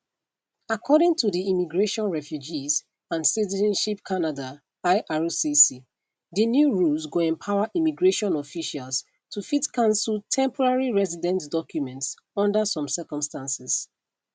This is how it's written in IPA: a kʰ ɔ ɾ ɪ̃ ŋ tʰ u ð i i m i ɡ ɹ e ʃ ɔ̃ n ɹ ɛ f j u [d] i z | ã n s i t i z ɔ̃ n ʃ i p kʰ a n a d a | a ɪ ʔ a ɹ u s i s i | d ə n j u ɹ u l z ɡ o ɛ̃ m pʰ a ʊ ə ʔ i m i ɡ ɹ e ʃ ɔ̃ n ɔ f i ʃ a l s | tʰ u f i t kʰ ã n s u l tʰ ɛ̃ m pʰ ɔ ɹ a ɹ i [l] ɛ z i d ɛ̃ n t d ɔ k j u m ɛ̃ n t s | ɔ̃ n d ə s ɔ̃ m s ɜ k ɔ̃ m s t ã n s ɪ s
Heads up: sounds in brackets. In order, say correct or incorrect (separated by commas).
incorrect, incorrect